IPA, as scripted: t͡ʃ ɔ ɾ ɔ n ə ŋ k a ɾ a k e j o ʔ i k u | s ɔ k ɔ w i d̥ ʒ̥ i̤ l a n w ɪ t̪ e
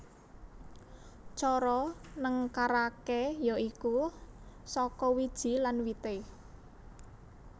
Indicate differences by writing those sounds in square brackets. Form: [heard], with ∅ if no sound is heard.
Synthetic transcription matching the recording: t͡ʃ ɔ ɾ ɔ n ə ŋ k a ɾ a k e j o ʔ i k u | s ɔ k ɔ w i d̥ ʒ̥ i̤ l a n w [i] t̪ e